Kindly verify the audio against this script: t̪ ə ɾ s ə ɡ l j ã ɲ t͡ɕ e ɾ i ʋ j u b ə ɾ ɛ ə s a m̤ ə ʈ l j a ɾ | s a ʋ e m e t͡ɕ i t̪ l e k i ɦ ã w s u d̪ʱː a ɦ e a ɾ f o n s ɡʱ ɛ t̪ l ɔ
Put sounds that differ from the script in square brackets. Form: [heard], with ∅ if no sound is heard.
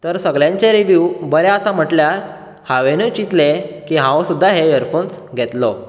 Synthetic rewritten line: t̪ ə ɾ s ə ɡ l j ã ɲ t͡ɕ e ɾ i ʋ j u b ə ɾ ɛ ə s a m̤ ə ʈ l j a ɾ | [h] a ʋ e [n] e t͡ɕ i t̪ l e k i ɦ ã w s u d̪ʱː a ɦ e [ə] ɾ f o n s ɡʱ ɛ t̪ l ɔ

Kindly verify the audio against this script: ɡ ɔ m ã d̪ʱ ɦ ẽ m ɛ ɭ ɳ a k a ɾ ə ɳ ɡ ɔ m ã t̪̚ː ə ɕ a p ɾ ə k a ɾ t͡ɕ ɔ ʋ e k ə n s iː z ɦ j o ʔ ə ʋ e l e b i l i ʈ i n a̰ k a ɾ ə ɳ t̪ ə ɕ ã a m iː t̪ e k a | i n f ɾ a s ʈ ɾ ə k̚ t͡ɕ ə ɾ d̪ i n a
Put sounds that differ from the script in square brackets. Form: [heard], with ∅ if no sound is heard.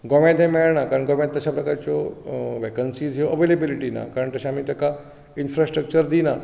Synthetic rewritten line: ɡ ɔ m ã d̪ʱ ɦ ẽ m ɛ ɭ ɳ a k a ɾ ə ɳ ɡ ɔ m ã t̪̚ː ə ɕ a p ɾ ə k a ɾ t͡ɕ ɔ ʋ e k ə n s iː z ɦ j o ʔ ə ʋ e l e b i l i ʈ i n a̰ k a ɾ ə ɳ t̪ ə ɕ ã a m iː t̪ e k a | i n f ɾ a s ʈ ɾ ə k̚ t͡ɕ ə ɾ d̪ i n a

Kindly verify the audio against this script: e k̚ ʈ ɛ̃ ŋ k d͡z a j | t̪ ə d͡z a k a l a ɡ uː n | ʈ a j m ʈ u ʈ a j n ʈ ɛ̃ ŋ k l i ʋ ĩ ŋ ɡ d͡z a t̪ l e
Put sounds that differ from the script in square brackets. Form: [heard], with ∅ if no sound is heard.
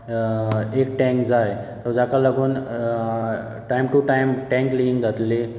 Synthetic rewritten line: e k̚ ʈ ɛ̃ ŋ k d͡z a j | t̪ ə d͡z a k a l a ɡ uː n | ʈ a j m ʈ u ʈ a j [m] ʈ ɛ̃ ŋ k l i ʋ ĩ ŋ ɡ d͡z a t̪ l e

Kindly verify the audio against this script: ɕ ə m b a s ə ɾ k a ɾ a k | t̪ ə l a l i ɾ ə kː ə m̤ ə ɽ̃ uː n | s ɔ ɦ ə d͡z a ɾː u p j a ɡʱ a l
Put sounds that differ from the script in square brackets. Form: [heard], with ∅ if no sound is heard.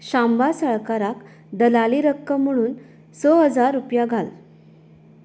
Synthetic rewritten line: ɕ [a] m b a s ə [ɭ] k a ɾ a k | [d̪] ə l a l i ɾ ə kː ə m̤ ə ɽ̃ uː n | s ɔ ɦ ə d͡z a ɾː u p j a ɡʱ a l

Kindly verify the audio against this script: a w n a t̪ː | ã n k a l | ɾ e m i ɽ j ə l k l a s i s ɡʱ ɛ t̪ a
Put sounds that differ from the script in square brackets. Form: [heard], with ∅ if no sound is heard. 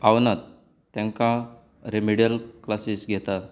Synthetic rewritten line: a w n a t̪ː | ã [ŋ] k a [∅] | ɾ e m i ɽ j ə l k l a s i s ɡʱ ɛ t̪ a

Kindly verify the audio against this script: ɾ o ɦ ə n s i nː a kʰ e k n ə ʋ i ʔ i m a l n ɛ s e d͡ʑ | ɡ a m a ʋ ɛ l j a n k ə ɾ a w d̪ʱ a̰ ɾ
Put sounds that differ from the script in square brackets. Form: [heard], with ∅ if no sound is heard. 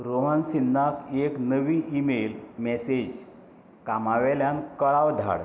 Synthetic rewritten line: ɾ o ɦ ə n s i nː a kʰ e k n ə ʋ i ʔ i m [e] l [m] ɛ s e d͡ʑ | [k] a m a ʋ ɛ l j a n k ə [ɭ] a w d̪ʱ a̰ [ɽ]

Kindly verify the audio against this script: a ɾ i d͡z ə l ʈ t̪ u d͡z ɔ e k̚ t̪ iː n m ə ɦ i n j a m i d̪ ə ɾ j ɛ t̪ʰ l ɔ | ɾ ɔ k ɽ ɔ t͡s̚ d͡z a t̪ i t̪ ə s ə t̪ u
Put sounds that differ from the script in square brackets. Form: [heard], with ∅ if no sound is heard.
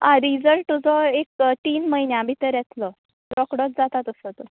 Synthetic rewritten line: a ɾ i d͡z ə l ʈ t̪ u d͡z ɔ e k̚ t̪ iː n m ə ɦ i n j a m i [t̪] ə ɾ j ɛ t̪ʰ l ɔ | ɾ ɔ k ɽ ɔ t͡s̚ d͡z a t̪ [a] t̪ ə s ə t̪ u

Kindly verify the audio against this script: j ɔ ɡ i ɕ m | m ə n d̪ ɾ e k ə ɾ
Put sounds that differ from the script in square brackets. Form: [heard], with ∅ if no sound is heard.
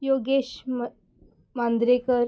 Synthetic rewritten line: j [o] ɡ [e] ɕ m | m [a] n d̪ ɾ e k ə ɾ

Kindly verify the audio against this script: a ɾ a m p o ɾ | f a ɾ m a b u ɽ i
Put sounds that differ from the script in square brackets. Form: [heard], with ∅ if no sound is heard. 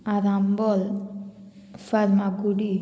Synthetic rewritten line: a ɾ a m [b] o [l] | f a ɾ m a [ɡ] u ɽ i

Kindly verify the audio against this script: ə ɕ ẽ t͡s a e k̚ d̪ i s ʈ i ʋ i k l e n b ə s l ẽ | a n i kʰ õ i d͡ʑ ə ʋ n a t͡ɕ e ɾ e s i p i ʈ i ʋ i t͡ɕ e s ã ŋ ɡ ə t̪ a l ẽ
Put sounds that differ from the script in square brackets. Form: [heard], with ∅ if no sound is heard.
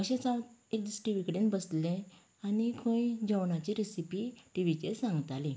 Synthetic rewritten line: ə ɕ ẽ t͡s a e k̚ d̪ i s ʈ i ʋ i k [ɽ] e n b ə s l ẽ | a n i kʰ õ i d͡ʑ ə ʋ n a t͡ɕ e ɾ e s i p i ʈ i ʋ i t͡ɕ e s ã ŋ ɡ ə t̪ a l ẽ

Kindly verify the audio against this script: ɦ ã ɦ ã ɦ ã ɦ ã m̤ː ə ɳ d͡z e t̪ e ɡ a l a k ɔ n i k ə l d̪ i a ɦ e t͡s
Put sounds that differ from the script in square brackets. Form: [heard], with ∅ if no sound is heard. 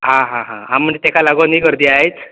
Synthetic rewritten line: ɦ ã ɦ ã ɦ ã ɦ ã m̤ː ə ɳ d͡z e t̪ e [k] a l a [ɡ] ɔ n i k ə [ɾ] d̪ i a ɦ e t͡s

